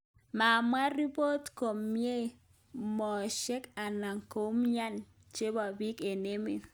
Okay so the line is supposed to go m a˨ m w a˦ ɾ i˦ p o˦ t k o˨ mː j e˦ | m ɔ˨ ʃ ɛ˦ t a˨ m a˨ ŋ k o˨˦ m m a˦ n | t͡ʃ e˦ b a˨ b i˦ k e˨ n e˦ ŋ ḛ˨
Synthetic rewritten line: m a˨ m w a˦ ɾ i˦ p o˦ t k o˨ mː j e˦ | m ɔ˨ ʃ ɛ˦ k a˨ n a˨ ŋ k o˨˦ m ɲ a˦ n | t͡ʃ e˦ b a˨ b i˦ k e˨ n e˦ m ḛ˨